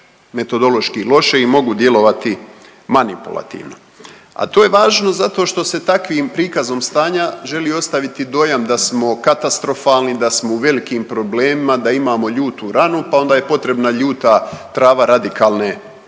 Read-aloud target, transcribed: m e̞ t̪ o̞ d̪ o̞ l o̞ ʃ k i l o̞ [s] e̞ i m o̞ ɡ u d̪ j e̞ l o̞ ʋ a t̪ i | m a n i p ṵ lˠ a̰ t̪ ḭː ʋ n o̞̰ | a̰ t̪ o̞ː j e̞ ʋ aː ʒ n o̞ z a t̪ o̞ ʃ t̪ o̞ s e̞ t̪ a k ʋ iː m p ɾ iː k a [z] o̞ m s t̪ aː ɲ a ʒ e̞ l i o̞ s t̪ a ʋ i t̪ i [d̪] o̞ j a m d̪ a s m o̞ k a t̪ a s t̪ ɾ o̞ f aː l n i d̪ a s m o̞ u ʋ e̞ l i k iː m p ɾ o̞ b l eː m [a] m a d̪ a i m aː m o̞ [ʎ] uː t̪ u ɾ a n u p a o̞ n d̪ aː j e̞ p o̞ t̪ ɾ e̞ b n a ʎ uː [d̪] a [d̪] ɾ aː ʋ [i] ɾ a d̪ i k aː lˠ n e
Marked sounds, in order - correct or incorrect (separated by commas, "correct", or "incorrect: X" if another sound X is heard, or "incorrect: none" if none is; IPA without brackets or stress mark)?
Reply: incorrect: ʃ, correct, correct, incorrect: i, correct, incorrect: t̪, incorrect: t̪, incorrect: a